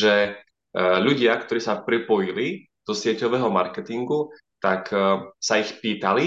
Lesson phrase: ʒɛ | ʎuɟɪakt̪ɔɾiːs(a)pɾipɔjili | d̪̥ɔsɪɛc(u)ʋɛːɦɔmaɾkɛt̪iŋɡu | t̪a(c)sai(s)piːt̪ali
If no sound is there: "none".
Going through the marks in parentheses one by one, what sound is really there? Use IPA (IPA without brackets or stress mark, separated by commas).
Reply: a, ɔ, k, x